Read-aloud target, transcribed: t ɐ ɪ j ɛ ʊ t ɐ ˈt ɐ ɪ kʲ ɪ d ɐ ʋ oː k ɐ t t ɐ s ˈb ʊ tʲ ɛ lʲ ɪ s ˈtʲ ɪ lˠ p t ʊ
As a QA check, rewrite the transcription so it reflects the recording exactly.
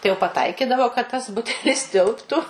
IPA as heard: t ɐ ɪ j ɛ ʊ p ɐ ˈt ɐ ɪ kʲ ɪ d ɐ ʋ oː k ɐ t t ɐ s ˈb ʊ tʲ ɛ lʲ ɪ s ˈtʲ ɪ lˠ p t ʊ